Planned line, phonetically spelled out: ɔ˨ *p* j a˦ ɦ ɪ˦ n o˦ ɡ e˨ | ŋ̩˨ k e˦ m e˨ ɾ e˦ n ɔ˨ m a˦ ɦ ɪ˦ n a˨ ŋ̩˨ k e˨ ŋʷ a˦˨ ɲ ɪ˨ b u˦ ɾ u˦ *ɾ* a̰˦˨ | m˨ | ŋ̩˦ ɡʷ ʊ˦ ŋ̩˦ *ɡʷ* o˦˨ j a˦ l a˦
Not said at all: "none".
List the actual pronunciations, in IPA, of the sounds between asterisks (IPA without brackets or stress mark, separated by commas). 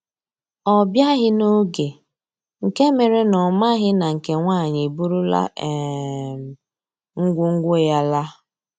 b, l, ɡʷ